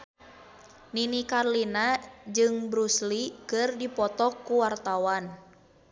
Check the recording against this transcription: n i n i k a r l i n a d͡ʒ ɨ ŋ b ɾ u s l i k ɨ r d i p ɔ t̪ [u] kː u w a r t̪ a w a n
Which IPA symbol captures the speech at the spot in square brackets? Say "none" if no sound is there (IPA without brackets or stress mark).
ɔ